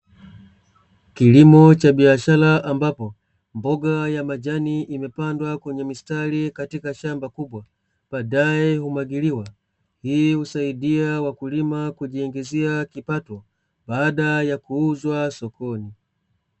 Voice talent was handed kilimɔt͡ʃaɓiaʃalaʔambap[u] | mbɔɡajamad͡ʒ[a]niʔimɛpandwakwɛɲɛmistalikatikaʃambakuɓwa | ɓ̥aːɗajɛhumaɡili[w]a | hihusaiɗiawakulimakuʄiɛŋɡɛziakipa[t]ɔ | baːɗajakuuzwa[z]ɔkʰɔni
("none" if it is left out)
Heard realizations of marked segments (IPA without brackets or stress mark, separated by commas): ɔ, a, w, t, s